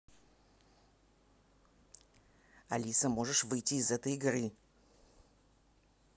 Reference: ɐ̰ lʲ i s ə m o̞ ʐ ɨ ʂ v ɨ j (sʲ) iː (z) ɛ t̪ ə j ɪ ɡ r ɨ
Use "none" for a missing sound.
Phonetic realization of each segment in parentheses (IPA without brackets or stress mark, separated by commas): tʲ, z